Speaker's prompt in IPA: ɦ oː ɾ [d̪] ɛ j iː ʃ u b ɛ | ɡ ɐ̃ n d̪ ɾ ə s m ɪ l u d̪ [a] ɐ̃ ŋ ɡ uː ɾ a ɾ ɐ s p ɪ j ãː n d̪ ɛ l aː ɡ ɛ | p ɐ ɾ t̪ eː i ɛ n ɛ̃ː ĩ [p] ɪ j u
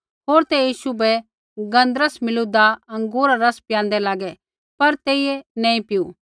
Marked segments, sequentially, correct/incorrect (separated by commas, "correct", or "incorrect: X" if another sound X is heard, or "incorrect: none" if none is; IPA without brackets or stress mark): incorrect: t̪, correct, correct